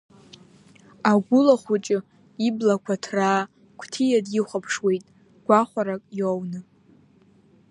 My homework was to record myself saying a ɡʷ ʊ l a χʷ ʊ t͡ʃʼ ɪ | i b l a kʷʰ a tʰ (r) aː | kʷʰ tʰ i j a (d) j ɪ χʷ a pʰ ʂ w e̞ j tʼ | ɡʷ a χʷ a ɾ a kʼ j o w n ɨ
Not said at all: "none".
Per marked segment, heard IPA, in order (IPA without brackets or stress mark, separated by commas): r, d